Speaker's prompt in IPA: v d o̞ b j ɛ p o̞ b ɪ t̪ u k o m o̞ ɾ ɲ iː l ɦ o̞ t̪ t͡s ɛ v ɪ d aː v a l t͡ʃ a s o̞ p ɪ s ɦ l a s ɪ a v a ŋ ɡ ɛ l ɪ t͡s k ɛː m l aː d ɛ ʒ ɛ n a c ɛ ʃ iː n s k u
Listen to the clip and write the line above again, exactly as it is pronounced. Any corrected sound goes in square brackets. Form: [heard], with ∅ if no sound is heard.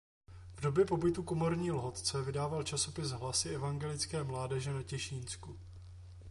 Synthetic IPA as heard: v d o̞ b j ɛ p o̞ b ɪ t̪ u k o m o̞ ɾ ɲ iː l ɦ o̞ t̪ t͡s ɛ v ɪ d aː v a l t͡ʃ a s o̞ p ɪ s ɦ l a s ɪ [ɛ] v a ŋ ɡ ɛ l ɪ t͡s k ɛː m l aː d ɛ ʒ ɛ n a c ɛ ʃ iː n s k u